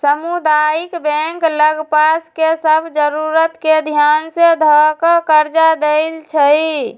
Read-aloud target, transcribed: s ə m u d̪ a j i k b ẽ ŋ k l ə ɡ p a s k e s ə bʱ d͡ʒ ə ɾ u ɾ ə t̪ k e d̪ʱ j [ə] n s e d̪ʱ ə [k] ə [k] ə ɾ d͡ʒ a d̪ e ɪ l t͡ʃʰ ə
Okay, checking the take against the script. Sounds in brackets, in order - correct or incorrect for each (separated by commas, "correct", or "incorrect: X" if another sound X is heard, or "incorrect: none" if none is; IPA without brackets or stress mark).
incorrect: a, correct, correct